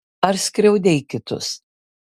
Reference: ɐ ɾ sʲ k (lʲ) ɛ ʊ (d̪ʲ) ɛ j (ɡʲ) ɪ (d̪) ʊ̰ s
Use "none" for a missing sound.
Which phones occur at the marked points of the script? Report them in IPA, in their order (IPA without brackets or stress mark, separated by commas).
ɾʲ, d̪ʲ, kʲ, t̪